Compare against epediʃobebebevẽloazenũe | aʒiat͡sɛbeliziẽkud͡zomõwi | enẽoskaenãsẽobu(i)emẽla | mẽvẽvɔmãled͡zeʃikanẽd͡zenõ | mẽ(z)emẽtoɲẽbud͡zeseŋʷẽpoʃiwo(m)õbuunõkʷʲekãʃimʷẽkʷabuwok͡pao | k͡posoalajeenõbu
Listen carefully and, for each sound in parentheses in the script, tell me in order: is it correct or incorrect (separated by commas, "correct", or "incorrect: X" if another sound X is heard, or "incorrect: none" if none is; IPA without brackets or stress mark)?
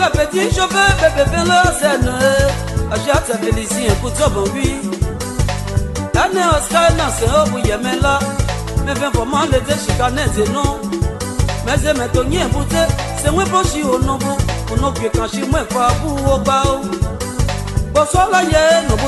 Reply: incorrect: j, correct, incorrect: n